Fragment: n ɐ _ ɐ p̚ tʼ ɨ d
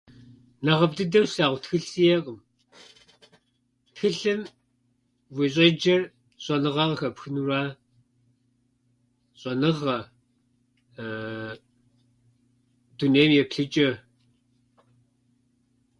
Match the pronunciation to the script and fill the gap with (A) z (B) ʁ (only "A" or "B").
B